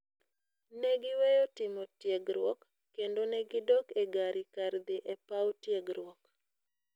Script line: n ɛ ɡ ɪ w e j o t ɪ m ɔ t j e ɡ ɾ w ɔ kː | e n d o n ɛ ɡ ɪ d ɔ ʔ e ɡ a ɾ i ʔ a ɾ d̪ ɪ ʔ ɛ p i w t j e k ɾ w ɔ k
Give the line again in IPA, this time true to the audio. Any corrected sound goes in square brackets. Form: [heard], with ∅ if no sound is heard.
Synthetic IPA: n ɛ ɡ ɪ w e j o t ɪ m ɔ t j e ɡ ɾ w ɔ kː | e n d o n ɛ ɡ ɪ d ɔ [k] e ɡ a ɾ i [k] a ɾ d̪ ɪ ʔ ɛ p [a] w t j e [ɡ] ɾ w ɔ k